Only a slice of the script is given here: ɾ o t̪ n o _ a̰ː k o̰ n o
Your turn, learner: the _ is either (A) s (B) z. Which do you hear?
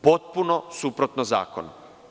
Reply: B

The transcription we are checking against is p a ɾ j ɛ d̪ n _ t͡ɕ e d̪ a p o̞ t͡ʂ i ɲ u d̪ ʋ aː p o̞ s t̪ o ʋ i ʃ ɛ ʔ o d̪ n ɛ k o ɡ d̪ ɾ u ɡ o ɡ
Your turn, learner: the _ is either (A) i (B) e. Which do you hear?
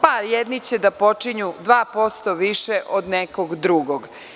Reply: A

